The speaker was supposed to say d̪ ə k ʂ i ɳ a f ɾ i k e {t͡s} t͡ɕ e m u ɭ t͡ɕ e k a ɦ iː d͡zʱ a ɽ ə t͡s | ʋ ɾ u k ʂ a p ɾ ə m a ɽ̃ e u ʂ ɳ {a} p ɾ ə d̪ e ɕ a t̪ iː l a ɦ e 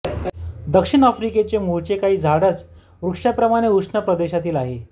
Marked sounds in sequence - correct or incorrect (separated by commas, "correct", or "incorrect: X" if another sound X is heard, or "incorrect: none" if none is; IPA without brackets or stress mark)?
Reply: incorrect: none, incorrect: ə